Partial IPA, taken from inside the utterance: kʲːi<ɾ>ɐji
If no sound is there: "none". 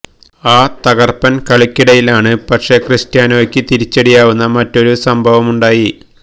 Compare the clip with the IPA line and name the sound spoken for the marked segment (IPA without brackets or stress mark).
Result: ɽ